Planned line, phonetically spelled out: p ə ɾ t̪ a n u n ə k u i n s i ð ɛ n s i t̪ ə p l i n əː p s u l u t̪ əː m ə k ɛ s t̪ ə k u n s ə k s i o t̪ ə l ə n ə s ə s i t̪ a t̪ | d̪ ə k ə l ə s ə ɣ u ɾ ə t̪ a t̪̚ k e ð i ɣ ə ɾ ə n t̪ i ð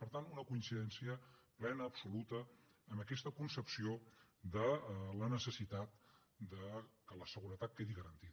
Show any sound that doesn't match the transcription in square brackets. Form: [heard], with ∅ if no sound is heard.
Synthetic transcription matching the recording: p ə ɾ t̪ a n u n ə k u i n s i ð ɛ n s i [∅] ə p l [ɛ] n əː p s u l u t̪ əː m ə k ɛ s t̪ ə k u n s ə [p] s i o [d̪] ə l ə n ə s ə s i t̪ a t̪ | d̪ ə k ə l ə s ə ɣ u ɾ ə t̪ a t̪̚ k e ð i ɣ ə ɾ ə n t̪ i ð

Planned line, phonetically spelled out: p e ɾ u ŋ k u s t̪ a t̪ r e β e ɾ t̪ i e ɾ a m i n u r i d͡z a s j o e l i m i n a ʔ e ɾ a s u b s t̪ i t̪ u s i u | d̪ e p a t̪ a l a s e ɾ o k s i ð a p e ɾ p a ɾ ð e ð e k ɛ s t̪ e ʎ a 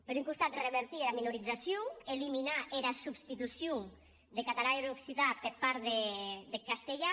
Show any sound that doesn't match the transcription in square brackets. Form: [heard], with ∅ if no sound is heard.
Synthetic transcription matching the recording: p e ɾ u ŋ k u s t̪ a t̪ r e β e ɾ t̪ i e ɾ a m i n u [ɾ] i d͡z a s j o e l i m i n a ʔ e ɾ a s u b s t̪ i t̪ u s [j] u | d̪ e [k] a t̪ a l a [∅] e ɾ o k s i ð a p e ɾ p a ɾ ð e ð e k [a] s t̪ e ʎ a

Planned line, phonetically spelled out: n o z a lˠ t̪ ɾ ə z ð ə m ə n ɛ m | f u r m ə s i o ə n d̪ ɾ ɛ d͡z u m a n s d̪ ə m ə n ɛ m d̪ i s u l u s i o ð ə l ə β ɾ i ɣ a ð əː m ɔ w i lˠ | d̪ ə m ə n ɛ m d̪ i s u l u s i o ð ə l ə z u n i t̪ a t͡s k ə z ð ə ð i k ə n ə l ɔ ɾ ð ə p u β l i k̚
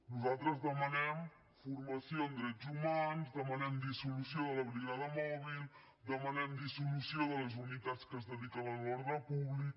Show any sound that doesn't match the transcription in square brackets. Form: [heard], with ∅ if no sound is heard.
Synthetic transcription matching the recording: n [u] z a lˠ t̪ ɾ ə z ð ə m ə n ɛ m | f u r m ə s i o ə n d̪ ɾ ɛ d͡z u m a n [z] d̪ ə m ə n ɛ m d̪ i s u l u s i o ð ə l ə β ɾ i ɣ a ð [ə] m ɔ [β] i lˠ | d̪ ə m ə n ɛ m d̪ i s u l u s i o ð ə l ə z u n i t̪ a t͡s k ə z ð ə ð i k ə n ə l ɔ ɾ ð ə p u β l i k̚

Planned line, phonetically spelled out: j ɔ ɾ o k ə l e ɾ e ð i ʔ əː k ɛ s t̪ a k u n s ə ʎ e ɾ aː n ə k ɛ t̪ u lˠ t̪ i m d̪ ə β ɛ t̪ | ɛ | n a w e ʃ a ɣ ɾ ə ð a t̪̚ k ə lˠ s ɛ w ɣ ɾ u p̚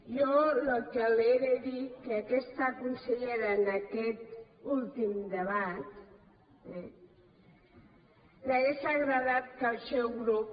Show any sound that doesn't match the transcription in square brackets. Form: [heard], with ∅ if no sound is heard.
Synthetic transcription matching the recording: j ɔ [l] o k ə l e ɾ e ð i [k] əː k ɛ s t̪ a k u n s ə ʎ e ɾ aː n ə k ɛ t̪ u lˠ t̪ i m d̪ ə β [a] t̪ | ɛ | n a [ɣ] e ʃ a ɣ ɾ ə ð a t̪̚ k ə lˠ s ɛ w ɣ ɾ u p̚

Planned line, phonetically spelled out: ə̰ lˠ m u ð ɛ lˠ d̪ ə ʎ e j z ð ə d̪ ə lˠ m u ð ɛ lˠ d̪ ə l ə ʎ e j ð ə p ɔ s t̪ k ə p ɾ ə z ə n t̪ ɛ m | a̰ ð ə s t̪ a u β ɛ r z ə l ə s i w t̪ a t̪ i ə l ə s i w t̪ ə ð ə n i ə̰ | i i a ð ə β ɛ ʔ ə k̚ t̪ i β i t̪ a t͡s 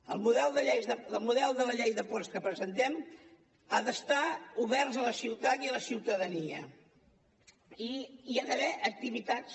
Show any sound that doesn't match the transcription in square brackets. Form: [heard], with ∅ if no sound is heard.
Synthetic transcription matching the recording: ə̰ lˠ m u ð ɛ lˠ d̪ ə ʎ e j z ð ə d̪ ə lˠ m u ð ɛ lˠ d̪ ə l ə ʎ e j ð ə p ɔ s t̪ k ə p ɾ ə z ə n t̪ ɛ m | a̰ ð ə s t̪ a u β ɛ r z ə l ə s i w t̪ a t̪ i ə l ə s i w t̪ ə ð ə n i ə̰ | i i a ð ə β ɛ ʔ ə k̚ t̪ i β i t̪ a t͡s

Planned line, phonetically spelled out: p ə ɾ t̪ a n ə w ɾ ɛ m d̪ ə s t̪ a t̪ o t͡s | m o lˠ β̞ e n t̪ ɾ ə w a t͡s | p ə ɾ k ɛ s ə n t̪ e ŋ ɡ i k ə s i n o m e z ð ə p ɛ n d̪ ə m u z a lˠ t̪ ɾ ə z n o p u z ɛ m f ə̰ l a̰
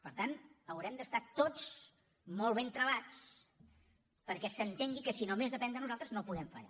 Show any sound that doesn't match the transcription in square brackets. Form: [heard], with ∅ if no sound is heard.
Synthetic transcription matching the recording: p ə ɾ t̪ a n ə w ɾ ɛ m d̪ ə s t̪ a t̪ o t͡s | m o lˠ β̞ e n t̪ ɾ ə [β] a t͡s | p ə ɾ k ɛ s ə n t̪ e ŋ ɡ i k ə s i n o m e z ð ə p ɛ n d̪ ə [n] u z a lˠ t̪ ɾ ə z n o p u [ð] ɛ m f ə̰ [ʎ] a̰

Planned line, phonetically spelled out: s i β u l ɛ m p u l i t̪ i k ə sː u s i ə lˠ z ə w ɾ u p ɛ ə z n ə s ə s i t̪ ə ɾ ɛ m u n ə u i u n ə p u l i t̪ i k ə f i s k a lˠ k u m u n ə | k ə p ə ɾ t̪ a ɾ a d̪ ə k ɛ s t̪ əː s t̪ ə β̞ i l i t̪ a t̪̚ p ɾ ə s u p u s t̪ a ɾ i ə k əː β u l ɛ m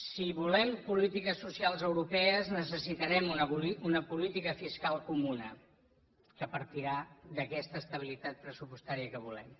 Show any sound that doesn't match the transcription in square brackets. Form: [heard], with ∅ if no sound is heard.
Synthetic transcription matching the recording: s i β u l ɛ m p u l i t̪ i k ə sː u s i [a] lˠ z ə w ɾ u p ɛ ə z n ə s ə s i t̪ ə ɾ ɛ m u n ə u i u n ə p u l i t̪ i k ə f i s k a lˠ k u m u n ə | k ə p ə ɾ t̪ [i] ɾ a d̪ ə k ɛ s t̪ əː s t̪ ə β̞ i l i t̪ a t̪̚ p ɾ ə s u p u s t̪ a ɾ i ə k [ə] β u l ɛ m

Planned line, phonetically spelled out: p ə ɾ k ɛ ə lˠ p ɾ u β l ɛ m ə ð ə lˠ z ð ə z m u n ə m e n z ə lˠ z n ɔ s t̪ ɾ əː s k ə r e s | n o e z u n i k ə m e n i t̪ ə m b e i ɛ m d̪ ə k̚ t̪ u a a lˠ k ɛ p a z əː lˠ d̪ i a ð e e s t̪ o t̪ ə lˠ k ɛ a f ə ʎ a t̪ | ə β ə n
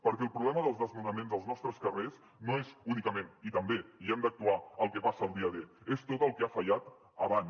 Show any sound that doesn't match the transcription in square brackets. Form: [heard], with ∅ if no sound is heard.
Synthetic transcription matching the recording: p ə ɾ k ɛ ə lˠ p ɾ u β l ɛ m ə ð ə lˠ z ð ə z m u n ə m e n z ə lˠ z n ɔ s t̪ ɾ [ə] s k ə r e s | n o e z u n i k ə m e n i t̪ ə m b e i ɛ m d̪ ə k̚ t̪ u a [ə] lˠ k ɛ p a [s] əː lˠ d̪ i [ə] ð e e s t̪ o t̪ ə lˠ k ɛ a f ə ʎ a t̪ | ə β [a] n

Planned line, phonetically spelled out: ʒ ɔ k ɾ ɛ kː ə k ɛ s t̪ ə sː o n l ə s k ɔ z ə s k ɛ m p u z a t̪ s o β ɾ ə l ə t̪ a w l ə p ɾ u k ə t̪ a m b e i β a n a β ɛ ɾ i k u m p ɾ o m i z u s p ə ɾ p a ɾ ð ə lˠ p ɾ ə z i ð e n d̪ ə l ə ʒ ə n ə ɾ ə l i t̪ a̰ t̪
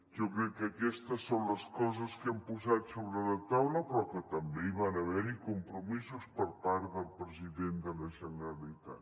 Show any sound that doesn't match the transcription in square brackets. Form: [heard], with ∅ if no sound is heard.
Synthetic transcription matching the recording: ʒ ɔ k ɾ ɛ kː ə k ɛ s t̪ ə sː o n l ə s k ɔ z ə s k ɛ m p u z a t̪ s o β ɾ ə l ə t̪ a w l ə p ɾ [ɔ] k ə t̪ [ə] m b e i β a n [ə] β ɛ ɾ i k u m p ɾ [u] m i z u s p ə ɾ p a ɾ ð ə lˠ p ɾ ə z i ð e n d̪ ə l ə ʒ ə n ə ɾ ə l i t̪ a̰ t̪

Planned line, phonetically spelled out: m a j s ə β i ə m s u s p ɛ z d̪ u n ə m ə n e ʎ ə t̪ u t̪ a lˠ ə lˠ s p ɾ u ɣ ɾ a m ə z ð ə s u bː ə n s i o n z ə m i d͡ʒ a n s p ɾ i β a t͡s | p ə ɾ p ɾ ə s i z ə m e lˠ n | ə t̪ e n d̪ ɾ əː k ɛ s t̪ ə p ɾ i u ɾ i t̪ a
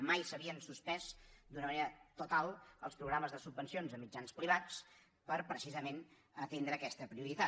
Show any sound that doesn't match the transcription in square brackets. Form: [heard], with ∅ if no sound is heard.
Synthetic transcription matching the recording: m a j s ə β i ə [n] s u s p ɛ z d̪ u n ə m ə n e [ɾ] ə t̪ u t̪ a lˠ ə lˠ s p ɾ u ɣ ɾ a m ə z ð ə s u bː ə n s i o n z ə m i d͡ʒ a n s p ɾ i β a t͡s | p ə ɾ p ɾ ə s i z ə m e [∅] n | ə t̪ e n d̪ ɾ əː k ɛ s t̪ ə p ɾ i u ɾ i t̪ a

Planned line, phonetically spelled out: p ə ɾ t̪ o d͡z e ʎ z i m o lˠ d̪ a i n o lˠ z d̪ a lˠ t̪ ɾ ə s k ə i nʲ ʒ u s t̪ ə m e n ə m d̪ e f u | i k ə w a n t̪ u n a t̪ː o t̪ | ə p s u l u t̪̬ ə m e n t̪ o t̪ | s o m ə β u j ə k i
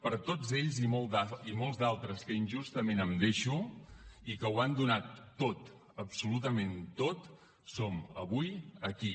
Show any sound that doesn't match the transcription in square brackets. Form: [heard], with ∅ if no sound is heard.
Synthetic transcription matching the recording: p ə ɾ t̪ o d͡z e ʎ z i m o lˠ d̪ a i [m] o lˠ z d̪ a lˠ t̪ ɾ ə s k ə i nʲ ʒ u s t̪ ə m e n ə m d̪ e [ʃ] u | i k ə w a n [d̪] u n a t̪ː o t̪ | ə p s u l u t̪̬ ə m e n t̪ o t̪ | s o m ə β u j ə k i

